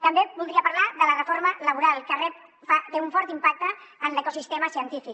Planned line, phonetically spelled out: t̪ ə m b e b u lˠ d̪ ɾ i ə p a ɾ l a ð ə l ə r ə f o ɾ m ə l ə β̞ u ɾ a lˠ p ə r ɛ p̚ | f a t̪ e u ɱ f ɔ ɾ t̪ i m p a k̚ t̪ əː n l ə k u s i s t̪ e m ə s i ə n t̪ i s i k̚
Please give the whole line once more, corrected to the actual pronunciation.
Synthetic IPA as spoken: t̪ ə m b e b u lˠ d̪ ɾ i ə p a ɾ l a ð ə l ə r ə f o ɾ m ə l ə β̞ u ɾ a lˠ k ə r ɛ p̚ | f a t̪ e u ɱ f ɔ ɾ t̪ i m p a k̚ t̪ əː n l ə k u s i s t̪ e m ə s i ə n t̪ i f i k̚